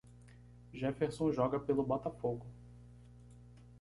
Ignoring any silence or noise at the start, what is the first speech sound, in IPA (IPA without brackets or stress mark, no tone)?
ʒ